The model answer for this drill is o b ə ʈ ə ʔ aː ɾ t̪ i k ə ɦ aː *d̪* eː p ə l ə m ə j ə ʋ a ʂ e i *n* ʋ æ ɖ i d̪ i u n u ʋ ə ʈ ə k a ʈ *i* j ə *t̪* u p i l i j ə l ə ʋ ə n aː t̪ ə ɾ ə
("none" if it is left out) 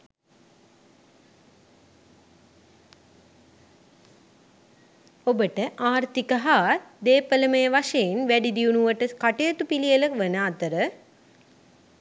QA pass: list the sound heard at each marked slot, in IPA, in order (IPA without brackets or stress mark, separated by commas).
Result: d̪, n, e, t̪